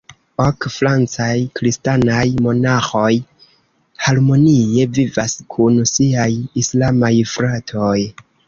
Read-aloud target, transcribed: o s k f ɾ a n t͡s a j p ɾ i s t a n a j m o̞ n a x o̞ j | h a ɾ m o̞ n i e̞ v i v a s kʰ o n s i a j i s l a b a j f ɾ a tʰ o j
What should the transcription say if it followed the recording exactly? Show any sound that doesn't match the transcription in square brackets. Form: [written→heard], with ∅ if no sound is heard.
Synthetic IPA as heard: o [s→∅] k f ɾ a n t͡s a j [p→k] ɾ i s t a n a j m o̞ n a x o̞ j | h a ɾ m o̞ n i e̞ v i v a s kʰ [o→u] n s i a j i s l a [b→m] a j f ɾ a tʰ o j